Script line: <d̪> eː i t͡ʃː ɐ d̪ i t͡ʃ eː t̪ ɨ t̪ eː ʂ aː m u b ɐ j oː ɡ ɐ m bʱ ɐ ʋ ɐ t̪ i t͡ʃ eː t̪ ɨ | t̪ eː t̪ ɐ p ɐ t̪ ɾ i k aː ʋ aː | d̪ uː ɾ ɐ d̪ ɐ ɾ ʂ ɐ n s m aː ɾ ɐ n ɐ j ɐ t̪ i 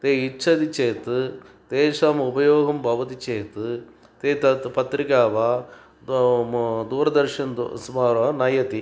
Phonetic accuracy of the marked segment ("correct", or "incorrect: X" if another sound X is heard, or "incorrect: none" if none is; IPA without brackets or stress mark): incorrect: t̪